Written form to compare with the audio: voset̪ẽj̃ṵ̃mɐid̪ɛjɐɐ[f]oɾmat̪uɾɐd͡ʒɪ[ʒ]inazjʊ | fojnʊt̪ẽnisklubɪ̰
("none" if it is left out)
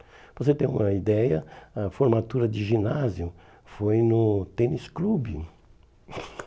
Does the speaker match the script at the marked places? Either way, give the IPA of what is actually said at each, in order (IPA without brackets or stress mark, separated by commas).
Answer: f, ʒ